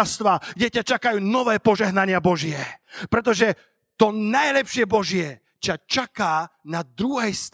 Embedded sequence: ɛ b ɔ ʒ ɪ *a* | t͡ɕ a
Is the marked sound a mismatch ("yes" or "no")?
yes